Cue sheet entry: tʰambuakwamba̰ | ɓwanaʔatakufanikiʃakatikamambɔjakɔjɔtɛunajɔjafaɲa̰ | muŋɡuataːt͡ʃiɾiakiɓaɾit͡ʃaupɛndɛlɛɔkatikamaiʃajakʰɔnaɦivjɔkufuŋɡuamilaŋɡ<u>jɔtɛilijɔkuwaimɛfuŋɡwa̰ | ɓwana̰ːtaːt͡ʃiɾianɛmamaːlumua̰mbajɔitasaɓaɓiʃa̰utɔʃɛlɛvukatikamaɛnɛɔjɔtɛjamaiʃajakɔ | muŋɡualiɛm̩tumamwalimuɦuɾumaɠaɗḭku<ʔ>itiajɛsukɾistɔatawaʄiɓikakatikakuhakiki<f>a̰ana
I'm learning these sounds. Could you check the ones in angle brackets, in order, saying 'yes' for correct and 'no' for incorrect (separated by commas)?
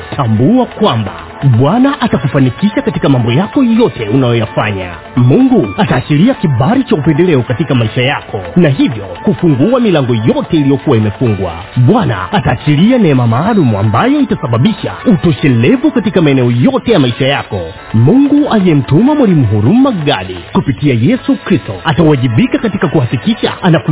no, no, no